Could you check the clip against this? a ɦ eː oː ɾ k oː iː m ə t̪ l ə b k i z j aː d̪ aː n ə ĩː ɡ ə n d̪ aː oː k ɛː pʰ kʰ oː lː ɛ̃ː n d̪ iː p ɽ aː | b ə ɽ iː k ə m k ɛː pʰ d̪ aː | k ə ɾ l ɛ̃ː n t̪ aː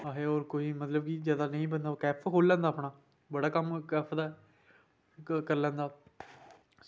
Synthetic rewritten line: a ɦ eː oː ɾ k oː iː m ə t̪ l ə b k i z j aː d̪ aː n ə ĩː b ə n d̪ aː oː k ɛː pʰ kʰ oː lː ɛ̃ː n d̪ aː p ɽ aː | b ə ɽ aː k ə m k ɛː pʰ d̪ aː | k ə ɾ l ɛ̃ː n d̪ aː

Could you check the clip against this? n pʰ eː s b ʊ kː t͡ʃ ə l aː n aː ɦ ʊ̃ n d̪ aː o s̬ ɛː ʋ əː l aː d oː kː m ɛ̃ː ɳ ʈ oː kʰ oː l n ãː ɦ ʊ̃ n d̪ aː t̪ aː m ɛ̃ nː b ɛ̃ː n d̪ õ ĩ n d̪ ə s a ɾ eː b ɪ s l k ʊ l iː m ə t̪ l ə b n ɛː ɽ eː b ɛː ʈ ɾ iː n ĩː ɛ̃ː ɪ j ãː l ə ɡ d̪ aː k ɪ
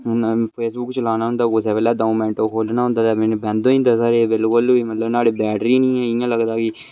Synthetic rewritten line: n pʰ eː s b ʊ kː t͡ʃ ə l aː n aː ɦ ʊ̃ n d̪ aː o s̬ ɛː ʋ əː l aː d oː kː m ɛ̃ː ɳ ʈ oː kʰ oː l n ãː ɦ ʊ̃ n d̪ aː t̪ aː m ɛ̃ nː b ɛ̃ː n d̪ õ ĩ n d̪ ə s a ɾ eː b ɪ l k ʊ l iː m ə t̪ l ə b n aː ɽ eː b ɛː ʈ ɾ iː n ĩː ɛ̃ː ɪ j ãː l ə ɡ d̪ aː k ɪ

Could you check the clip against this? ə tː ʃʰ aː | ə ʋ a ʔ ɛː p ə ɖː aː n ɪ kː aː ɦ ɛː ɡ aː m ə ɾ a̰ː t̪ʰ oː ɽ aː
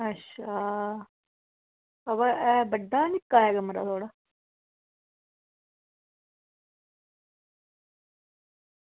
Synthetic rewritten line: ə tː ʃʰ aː | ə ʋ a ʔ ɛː b ə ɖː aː n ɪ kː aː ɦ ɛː ɡ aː m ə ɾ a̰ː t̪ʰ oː ɽ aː

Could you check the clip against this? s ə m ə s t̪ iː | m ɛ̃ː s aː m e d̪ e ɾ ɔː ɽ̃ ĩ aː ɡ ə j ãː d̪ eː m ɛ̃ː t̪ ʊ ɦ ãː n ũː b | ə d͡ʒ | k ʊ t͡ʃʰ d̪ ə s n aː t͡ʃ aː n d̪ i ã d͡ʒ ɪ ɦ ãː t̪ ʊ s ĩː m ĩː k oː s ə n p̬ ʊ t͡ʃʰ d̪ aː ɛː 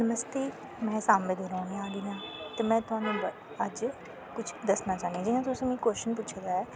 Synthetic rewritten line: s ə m ə s t̪ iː | m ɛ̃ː s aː m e d̪ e ɾ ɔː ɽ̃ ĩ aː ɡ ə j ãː t̪ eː m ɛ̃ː t̪ ʊ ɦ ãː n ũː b | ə d͡ʒ | k ʊ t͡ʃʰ d̪ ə s n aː t͡ʃ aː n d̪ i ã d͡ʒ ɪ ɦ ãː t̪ ʊ s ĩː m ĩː k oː ʃ ə n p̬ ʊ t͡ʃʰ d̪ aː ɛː

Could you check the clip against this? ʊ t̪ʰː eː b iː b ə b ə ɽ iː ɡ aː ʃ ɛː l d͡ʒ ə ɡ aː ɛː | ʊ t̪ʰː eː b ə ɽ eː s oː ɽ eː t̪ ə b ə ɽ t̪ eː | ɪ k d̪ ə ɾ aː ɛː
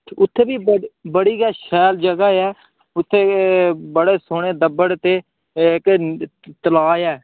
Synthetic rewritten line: ʊ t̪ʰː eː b iː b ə b ə ɽ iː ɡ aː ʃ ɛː l d͡ʒ ə ɡ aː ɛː | ʊ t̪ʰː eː b ə ɽ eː s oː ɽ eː d̪ ə b ə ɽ t̪ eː | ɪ k t̪ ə l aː ɛː

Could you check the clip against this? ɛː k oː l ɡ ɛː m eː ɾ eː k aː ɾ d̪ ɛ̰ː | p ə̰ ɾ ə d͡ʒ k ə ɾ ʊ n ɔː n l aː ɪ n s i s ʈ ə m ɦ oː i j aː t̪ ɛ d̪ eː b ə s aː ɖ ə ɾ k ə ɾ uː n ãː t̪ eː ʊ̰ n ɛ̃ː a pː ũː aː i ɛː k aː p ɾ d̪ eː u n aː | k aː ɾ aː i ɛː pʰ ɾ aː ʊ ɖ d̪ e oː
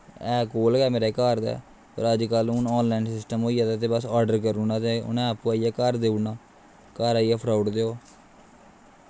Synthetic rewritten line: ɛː k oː l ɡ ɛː m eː ɾ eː k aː ɾ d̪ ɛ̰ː | p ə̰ ɾ ə d͡ʒ k ə l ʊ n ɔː n l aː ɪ n s ɪ s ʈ ə m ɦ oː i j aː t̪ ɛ t̪ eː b ə s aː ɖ ə ɾ k ə ɾ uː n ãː t̪ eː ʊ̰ n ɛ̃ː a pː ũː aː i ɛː k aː ɾ d̪ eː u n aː | k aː ɾ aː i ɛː pʰ ɾ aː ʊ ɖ d̪ e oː

